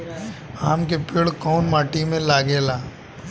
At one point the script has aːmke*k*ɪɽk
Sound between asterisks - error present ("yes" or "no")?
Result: yes